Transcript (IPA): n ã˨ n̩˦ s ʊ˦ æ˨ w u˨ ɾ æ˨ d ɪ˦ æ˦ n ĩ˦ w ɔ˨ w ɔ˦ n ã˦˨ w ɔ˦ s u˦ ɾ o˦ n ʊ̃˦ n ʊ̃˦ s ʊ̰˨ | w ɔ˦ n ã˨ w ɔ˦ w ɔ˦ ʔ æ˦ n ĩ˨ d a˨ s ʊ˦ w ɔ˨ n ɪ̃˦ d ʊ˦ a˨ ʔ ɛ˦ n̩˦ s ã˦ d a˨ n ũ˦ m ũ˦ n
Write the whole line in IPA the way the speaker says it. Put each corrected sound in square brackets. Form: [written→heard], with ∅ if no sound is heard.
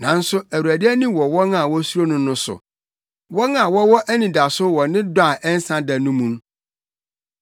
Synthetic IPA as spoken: n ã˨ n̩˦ s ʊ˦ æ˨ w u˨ ɾ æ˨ d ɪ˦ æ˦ n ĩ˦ w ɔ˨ w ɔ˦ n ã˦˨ w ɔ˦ s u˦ ɾ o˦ n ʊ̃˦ n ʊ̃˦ s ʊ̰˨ | w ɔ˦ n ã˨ w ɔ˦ w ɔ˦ ʔ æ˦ n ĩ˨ d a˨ s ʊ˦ w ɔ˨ n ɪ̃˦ d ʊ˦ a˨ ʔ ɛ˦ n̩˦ s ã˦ d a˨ n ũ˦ m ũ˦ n

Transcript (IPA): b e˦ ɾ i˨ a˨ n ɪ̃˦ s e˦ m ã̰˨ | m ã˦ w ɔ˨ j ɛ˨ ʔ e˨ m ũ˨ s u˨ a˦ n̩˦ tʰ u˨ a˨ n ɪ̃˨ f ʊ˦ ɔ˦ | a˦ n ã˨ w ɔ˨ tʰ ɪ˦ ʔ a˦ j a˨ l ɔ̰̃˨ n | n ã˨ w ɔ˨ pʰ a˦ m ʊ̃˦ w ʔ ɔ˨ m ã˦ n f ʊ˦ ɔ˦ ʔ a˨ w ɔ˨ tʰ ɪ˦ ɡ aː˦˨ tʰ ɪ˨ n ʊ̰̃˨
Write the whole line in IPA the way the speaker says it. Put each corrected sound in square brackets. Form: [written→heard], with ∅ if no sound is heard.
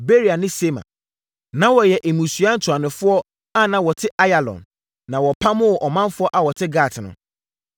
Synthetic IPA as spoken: b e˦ ɾ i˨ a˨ n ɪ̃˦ s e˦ m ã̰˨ | [m→n] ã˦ w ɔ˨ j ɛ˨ ʔ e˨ m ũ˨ s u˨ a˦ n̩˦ tʰ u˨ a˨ n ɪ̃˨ f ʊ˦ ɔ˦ | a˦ n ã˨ w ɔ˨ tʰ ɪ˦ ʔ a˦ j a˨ l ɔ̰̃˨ n | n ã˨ w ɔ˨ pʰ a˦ m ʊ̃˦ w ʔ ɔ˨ m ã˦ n f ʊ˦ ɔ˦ ʔ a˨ w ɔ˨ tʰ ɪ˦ ɡ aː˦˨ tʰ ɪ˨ n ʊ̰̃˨

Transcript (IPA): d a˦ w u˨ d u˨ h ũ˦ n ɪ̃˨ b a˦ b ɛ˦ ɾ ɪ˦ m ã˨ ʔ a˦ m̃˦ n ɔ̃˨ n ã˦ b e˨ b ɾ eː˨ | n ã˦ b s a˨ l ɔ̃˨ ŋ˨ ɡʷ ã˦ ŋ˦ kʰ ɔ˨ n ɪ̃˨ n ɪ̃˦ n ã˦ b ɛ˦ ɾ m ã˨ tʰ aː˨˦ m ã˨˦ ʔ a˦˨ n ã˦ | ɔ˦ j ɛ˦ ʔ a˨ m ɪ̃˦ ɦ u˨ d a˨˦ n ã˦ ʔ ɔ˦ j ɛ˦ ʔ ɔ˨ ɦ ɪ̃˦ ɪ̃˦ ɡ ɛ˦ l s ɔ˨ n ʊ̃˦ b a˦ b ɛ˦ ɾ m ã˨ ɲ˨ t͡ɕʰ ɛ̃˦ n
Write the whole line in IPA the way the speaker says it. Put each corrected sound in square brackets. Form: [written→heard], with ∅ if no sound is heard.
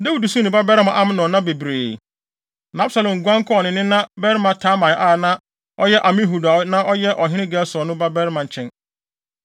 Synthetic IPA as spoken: d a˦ w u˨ d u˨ [h→s] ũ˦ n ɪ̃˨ b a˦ b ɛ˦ ɾ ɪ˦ m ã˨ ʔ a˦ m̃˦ n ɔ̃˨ n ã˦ b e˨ b ɾ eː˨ | n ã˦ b s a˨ l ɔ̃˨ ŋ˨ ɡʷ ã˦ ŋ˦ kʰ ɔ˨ n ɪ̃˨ n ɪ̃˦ n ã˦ b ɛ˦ ɾ m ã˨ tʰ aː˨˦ m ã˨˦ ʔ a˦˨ n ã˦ | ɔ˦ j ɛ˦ ʔ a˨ m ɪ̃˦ ɦ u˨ d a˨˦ n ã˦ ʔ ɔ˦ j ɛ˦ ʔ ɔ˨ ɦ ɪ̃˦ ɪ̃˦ ɡ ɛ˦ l s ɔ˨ n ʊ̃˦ b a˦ b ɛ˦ ɾ m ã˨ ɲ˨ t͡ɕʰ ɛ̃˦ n

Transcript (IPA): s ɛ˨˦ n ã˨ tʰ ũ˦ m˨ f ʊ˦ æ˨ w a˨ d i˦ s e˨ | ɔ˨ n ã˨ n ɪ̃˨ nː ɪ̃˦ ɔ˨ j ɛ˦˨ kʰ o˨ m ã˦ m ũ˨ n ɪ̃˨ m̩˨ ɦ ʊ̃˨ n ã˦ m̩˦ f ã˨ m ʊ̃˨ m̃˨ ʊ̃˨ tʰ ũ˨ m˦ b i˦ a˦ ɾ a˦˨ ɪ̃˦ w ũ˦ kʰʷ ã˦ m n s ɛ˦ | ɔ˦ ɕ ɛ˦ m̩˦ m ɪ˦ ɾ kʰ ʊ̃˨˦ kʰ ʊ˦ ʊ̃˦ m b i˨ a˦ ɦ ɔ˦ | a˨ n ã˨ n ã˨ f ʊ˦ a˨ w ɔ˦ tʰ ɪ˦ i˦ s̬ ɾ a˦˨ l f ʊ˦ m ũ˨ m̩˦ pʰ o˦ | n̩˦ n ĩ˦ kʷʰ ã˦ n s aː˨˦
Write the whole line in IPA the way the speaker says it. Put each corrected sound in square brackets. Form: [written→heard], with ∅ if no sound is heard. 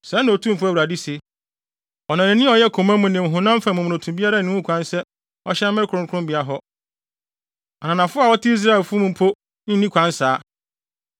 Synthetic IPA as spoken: s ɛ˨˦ n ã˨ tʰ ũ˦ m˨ f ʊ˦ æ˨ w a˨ d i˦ s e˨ | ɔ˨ n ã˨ n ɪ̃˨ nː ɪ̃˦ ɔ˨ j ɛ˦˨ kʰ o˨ m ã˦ m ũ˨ n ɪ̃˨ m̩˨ ɦ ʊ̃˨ n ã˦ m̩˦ f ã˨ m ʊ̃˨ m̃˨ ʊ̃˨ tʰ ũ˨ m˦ b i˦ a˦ ɾ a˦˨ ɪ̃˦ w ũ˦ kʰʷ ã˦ [m→∅] n s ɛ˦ | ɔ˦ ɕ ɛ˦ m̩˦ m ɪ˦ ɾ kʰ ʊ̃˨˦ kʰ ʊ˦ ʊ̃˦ m b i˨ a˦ ɦ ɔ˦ | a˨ n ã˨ n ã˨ f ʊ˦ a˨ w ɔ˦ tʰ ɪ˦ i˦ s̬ ɾ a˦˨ l f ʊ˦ m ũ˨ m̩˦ pʰ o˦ | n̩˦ n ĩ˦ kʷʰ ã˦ n s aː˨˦

